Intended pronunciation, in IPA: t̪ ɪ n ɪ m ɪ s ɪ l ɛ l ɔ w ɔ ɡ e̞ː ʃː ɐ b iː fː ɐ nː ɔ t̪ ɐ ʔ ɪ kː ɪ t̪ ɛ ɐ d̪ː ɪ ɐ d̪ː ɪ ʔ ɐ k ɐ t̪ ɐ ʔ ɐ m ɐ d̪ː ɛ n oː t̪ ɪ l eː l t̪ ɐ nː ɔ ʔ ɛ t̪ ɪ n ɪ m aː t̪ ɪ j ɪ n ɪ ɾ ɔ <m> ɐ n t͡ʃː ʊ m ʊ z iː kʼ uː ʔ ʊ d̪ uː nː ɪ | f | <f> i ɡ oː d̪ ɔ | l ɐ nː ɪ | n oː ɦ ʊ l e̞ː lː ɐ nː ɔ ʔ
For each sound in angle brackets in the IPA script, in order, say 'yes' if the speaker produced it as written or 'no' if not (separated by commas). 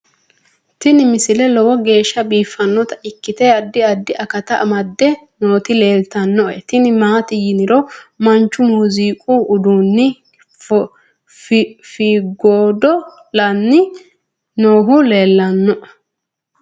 yes, yes